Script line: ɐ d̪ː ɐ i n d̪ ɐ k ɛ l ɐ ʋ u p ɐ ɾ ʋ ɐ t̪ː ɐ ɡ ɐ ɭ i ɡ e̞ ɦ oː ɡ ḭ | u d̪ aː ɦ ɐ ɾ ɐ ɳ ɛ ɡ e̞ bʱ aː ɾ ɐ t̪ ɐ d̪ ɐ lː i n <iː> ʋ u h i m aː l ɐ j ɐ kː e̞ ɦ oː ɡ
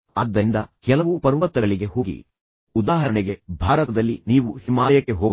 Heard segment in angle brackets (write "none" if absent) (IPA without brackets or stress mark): iː